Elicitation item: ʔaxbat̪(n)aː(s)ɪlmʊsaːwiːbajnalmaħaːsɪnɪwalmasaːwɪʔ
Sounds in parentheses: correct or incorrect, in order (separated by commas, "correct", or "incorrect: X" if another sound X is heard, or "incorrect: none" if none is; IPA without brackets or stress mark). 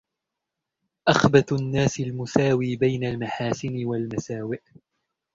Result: incorrect: nː, correct